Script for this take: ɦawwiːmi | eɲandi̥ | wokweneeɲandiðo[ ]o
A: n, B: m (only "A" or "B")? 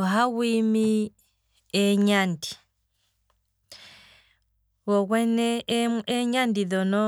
A